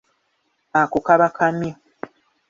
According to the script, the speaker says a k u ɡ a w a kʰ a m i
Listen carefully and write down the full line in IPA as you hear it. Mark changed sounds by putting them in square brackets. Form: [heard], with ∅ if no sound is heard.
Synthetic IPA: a k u [k] a [β] a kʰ a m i